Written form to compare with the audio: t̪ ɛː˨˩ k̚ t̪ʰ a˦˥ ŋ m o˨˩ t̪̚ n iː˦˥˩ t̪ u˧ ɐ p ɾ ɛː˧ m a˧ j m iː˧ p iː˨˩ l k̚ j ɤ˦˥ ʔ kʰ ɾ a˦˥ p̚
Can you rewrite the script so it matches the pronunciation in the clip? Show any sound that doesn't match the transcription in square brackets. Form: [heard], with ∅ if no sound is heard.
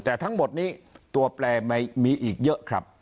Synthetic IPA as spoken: t̪ ɛː˨˩ [∅] t̪ʰ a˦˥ ŋ m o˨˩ t̪̚ n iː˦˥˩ t̪ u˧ ɐ p [l] ɛː˧ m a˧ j m iː˧ [ʔ] iː˨˩ [∅] k̚ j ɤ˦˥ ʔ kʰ ɾ a˦˥ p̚